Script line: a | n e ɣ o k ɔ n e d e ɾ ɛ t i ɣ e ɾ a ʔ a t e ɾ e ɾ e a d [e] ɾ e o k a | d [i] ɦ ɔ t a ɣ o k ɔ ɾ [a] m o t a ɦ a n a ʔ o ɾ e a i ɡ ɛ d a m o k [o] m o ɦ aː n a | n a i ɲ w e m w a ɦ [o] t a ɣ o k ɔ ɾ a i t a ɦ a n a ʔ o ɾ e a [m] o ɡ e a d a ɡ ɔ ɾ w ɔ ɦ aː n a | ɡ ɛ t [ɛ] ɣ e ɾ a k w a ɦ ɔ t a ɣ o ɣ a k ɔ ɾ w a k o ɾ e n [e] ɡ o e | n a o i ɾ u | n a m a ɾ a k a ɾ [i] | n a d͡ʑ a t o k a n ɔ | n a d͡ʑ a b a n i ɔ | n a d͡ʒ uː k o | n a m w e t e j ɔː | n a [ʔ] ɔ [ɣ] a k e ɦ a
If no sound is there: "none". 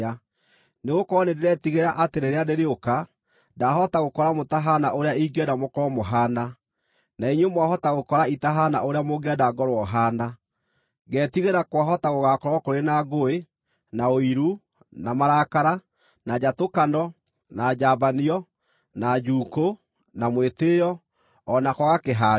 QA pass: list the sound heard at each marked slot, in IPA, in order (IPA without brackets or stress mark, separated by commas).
e, a, a, ɔ, ɔ, m, i, a, a, k, ɣ